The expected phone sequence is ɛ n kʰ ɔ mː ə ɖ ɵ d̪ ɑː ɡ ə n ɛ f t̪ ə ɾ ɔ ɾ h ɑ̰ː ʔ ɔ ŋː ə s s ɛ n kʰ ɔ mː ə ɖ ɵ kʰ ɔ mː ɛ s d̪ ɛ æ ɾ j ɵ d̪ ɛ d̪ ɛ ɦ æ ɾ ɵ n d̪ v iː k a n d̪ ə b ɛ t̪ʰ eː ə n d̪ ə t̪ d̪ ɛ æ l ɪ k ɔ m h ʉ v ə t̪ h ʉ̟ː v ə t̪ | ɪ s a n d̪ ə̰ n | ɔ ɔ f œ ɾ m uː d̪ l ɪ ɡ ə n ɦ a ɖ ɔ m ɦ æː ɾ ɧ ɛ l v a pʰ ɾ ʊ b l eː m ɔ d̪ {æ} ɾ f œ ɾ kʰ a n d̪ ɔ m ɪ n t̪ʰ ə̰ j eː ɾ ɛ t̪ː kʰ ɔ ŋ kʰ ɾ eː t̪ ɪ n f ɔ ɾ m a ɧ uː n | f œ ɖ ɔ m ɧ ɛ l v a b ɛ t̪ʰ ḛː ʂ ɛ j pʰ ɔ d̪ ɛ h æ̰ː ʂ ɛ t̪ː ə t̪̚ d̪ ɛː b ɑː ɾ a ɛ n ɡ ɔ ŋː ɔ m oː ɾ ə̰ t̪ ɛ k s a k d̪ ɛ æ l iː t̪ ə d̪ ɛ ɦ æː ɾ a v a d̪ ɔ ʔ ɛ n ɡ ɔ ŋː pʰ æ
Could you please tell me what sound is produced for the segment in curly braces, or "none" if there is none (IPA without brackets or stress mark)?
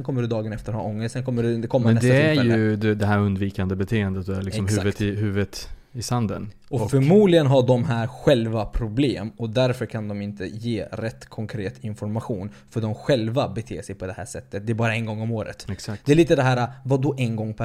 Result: æ